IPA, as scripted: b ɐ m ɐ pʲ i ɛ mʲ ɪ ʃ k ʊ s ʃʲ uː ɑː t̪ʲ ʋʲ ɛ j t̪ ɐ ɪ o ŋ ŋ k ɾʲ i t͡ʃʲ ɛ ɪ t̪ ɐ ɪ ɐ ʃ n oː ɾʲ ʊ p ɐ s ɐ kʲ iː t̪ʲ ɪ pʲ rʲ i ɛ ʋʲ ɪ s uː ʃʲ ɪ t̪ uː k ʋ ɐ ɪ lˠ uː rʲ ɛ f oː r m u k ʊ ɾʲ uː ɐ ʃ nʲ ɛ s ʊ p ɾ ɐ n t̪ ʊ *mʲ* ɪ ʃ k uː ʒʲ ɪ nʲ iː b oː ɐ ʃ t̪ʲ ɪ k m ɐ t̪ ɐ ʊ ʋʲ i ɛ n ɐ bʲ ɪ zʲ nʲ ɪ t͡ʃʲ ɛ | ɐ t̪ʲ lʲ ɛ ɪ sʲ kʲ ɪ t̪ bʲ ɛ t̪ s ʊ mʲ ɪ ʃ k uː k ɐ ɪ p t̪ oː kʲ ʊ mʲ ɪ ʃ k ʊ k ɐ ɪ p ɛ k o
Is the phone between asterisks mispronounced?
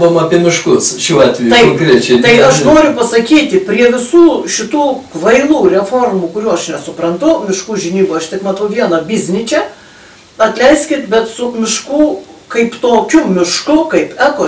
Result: no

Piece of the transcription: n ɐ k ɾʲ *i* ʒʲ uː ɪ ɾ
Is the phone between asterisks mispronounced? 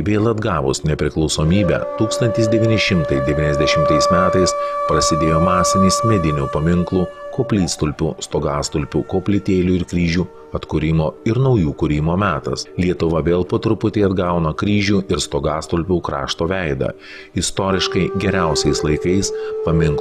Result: yes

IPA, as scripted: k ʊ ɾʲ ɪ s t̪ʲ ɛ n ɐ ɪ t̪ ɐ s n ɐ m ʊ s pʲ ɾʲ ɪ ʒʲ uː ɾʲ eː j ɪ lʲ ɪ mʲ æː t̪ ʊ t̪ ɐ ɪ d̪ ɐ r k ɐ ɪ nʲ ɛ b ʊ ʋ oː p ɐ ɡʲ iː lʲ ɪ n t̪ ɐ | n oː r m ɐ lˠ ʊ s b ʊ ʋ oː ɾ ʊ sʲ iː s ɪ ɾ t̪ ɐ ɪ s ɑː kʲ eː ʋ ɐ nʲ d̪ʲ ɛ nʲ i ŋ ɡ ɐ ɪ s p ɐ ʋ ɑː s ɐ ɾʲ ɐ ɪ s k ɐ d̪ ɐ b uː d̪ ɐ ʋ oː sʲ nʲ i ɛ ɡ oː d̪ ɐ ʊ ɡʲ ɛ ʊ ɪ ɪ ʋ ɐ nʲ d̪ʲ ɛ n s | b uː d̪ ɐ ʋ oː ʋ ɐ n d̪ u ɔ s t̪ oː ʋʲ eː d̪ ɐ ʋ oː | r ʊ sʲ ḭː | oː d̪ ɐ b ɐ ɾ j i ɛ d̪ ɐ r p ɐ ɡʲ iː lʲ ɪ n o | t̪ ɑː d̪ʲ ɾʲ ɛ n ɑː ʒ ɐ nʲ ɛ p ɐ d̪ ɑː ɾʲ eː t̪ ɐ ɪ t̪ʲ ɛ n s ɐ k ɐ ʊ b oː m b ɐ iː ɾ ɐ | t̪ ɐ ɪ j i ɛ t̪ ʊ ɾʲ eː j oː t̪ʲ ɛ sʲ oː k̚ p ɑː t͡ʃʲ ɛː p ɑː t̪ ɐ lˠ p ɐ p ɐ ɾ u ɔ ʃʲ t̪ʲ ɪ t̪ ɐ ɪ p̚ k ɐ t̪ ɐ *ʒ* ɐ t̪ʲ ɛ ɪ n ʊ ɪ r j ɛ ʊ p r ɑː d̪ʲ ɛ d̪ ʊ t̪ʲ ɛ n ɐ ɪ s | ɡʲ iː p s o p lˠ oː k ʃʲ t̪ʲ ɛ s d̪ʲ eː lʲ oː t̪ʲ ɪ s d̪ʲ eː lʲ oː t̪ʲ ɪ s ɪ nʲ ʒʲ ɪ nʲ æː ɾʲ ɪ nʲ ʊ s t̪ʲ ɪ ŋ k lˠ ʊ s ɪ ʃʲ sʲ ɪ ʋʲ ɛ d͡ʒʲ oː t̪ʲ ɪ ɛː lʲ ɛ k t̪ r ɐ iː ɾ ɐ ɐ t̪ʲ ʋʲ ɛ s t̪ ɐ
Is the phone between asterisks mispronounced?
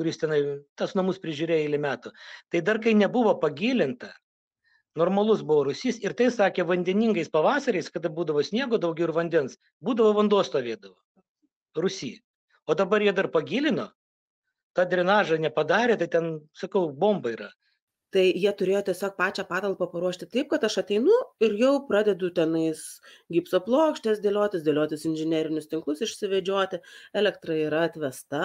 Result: yes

